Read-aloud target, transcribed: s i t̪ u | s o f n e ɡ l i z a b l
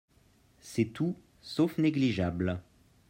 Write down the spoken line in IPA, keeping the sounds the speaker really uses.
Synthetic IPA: s ɛ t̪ u | s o f n e ɡ l i ʒ a b l